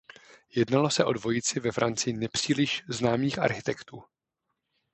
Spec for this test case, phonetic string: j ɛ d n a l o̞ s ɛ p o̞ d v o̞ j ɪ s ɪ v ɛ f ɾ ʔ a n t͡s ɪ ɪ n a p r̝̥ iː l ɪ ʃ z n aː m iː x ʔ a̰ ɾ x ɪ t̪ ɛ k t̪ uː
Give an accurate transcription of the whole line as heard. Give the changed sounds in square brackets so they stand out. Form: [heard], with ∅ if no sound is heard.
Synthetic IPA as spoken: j ɛ d n a l o̞ s ɛ [ʔ] o̞ d v o̞ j ɪ [t͡s] ɪ v ɛ f ɾ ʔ a n t͡s ɪ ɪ n [ɛ] p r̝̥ iː l ɪ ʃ z n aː m iː x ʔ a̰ ɾ x ɪ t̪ ɛ k t̪ uː